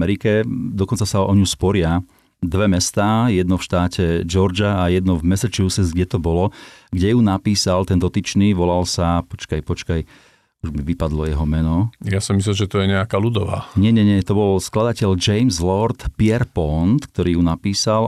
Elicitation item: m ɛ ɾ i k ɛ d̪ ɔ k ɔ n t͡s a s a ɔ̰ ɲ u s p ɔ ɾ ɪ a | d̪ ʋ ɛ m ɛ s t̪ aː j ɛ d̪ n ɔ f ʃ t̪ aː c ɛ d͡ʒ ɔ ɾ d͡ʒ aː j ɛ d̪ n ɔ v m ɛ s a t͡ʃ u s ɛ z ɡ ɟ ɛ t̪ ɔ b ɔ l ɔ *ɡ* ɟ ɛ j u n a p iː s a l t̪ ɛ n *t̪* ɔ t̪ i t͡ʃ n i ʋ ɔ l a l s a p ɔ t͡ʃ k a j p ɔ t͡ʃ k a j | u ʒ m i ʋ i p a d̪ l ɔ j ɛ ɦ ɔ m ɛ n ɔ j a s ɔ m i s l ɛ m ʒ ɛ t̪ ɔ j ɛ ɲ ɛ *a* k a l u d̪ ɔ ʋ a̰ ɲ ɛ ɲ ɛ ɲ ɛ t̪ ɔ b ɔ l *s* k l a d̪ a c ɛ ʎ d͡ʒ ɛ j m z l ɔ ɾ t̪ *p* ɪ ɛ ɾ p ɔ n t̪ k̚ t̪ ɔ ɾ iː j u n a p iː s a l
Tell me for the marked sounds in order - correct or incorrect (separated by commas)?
correct, incorrect, correct, correct, correct